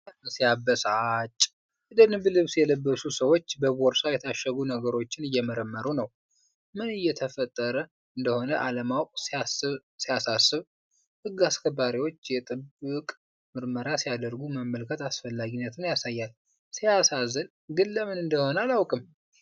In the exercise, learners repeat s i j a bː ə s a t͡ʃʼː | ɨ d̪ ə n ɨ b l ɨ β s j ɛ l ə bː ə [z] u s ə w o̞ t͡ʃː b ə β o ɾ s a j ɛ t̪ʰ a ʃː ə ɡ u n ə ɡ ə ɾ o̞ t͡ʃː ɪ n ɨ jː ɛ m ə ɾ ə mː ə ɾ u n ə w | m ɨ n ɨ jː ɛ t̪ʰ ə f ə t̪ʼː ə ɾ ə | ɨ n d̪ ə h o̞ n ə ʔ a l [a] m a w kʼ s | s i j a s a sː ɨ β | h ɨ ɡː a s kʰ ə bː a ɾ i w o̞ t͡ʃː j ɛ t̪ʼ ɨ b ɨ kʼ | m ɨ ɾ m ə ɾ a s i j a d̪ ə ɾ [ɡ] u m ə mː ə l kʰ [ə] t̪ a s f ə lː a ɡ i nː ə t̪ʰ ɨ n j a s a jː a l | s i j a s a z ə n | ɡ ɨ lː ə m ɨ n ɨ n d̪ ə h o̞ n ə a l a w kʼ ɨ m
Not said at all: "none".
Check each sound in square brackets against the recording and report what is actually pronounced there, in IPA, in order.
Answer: s, ə, ɡ, ə

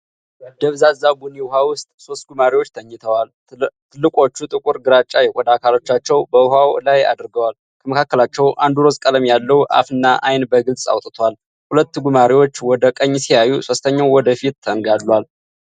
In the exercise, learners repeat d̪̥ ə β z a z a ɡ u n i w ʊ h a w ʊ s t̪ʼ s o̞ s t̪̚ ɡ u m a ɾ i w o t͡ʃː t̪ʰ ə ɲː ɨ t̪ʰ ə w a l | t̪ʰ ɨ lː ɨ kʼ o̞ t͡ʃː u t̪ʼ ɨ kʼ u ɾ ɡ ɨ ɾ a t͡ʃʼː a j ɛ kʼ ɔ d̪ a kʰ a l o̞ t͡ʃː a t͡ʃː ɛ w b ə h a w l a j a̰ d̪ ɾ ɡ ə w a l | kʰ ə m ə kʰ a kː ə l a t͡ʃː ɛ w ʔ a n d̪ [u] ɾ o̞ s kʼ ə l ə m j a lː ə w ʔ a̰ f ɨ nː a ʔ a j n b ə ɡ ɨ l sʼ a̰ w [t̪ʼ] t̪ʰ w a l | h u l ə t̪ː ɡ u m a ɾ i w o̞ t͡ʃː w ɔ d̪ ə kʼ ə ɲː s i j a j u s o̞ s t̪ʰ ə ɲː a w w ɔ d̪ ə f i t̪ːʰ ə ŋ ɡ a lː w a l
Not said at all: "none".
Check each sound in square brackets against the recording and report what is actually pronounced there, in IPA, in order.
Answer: u, t̪ʼ

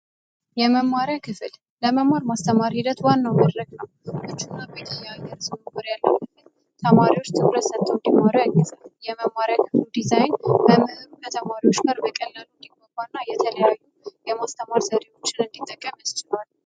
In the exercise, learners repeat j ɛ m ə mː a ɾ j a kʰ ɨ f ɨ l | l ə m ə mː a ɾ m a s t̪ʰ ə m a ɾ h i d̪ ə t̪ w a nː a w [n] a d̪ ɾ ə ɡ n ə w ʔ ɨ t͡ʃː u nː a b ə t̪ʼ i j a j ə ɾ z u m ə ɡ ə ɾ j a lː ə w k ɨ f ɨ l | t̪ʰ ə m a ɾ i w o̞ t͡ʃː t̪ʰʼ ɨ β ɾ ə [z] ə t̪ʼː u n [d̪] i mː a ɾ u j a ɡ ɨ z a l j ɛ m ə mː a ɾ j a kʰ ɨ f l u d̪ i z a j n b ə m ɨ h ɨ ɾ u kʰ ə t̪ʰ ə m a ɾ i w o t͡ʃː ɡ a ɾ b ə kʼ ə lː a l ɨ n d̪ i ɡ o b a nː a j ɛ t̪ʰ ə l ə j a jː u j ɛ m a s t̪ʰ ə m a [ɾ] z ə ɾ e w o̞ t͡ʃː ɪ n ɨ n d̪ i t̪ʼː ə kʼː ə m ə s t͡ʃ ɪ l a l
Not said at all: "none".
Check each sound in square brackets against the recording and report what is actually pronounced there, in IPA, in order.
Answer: m, s, d̪, ɾ

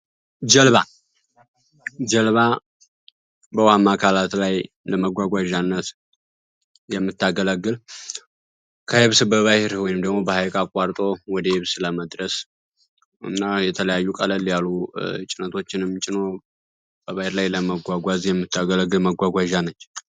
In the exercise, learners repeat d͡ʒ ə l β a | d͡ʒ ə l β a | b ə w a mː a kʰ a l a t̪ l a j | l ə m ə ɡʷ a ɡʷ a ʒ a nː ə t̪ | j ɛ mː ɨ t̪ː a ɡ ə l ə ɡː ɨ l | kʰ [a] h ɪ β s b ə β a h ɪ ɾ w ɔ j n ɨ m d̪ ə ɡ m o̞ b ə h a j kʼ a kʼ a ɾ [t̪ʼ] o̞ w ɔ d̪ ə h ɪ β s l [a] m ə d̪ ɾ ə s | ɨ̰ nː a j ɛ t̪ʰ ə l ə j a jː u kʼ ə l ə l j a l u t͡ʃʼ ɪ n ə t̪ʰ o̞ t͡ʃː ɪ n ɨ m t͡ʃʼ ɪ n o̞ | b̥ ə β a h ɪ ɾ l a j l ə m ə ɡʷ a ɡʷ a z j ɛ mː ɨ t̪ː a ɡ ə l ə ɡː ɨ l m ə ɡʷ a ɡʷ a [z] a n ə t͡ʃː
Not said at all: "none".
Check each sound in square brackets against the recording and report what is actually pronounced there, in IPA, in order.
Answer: ə, t̪ʼ, ə, ʒ

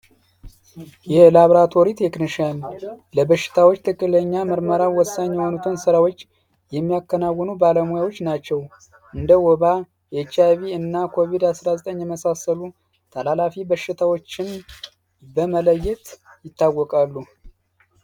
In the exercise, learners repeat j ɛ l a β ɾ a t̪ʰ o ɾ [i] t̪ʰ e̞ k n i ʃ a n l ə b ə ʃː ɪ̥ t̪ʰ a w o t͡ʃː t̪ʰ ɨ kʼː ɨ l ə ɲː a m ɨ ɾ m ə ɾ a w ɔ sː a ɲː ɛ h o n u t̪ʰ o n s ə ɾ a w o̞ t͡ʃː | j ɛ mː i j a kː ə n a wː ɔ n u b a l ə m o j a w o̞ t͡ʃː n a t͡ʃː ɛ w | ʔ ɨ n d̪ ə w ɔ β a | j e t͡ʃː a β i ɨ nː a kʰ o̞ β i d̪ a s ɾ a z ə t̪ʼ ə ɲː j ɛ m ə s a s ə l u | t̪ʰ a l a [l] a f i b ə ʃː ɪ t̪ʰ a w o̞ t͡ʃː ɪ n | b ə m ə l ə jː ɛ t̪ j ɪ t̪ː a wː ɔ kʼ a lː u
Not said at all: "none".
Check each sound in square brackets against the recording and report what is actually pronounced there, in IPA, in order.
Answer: i, l

